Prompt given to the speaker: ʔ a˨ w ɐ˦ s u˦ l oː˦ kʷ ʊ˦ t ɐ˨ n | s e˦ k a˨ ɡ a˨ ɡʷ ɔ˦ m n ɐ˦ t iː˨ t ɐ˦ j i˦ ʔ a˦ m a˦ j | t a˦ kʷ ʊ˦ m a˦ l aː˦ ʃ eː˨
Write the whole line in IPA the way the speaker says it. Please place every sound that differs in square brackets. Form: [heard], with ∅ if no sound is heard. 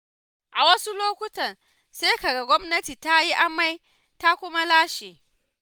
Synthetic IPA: ʔ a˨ w ɐ˦ s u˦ l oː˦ kʷ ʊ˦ t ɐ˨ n | s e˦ k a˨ ɡ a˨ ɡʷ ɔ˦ m n ɐ˦ t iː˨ t [a˦] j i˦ ʔ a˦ m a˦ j | t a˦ kʷ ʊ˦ m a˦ l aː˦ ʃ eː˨